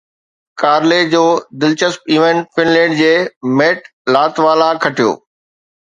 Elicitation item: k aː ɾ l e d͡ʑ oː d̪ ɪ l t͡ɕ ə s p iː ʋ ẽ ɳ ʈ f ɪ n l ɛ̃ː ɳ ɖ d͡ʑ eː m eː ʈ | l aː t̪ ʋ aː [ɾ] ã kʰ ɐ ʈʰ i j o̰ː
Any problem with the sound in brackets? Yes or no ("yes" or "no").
yes